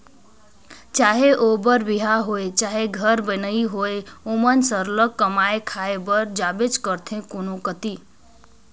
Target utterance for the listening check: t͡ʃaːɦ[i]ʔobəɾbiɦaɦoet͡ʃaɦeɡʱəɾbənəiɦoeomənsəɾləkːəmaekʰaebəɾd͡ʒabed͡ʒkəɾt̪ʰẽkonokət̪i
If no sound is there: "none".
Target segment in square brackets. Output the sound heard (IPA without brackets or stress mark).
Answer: e